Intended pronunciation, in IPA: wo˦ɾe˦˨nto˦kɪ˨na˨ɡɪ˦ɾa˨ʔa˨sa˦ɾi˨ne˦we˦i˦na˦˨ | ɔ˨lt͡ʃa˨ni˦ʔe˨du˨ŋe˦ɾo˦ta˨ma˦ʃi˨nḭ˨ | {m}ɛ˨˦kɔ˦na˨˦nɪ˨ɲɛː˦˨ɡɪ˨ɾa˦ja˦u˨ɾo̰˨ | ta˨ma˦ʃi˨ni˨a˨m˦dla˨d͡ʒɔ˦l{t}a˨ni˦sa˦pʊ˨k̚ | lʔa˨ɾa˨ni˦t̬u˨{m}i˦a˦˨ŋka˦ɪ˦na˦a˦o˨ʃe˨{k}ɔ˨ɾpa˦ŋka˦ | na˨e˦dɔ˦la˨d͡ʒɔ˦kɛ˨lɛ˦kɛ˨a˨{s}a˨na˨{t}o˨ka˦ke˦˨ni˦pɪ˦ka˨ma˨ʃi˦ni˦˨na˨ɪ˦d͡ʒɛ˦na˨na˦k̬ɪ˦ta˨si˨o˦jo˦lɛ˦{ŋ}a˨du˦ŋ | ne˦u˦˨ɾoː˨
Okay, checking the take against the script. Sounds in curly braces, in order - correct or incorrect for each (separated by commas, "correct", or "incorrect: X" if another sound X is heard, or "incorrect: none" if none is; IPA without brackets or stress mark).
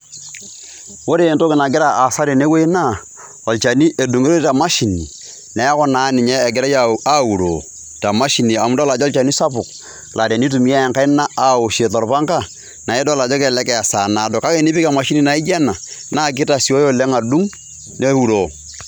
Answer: incorrect: n, incorrect: t͡ʃ, correct, incorrect: t, correct, incorrect: d, correct